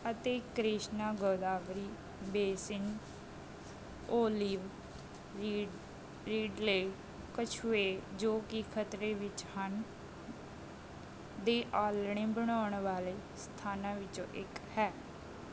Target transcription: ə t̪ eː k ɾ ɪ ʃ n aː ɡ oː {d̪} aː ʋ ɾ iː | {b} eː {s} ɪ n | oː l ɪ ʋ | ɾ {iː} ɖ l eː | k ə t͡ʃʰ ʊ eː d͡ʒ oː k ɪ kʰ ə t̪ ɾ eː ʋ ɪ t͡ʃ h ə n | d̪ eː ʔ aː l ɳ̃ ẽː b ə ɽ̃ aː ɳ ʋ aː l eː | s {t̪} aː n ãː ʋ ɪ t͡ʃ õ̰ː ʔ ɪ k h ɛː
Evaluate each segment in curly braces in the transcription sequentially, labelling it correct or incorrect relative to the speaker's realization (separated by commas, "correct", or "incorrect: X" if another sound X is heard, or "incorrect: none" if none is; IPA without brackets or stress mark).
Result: correct, correct, correct, correct, incorrect: t̪ʰ